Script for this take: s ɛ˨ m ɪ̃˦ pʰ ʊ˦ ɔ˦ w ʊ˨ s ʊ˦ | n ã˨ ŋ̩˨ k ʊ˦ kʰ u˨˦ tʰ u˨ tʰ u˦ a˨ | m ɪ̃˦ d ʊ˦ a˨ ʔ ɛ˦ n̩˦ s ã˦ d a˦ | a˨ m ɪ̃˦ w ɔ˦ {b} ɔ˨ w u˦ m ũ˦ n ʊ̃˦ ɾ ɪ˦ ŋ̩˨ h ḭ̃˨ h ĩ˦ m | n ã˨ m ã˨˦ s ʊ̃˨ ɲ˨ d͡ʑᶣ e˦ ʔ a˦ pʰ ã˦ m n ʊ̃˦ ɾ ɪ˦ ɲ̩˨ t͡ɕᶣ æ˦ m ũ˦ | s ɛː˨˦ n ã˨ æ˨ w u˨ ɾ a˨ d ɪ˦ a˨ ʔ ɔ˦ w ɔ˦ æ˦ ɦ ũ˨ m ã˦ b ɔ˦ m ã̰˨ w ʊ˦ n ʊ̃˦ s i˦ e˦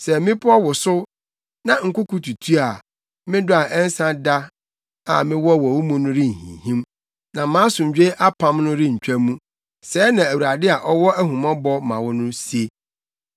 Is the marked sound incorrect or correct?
incorrect